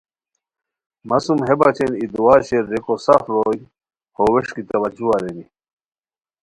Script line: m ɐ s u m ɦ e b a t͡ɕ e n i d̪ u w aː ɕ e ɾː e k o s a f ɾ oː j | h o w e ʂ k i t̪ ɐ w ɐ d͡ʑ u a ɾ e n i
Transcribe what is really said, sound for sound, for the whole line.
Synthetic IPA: m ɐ s u m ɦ e b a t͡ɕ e n i d̪ u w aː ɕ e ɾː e k o s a f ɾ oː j | h o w e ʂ k i t̪ ɐ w ɐ d͡ʑ u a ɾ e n i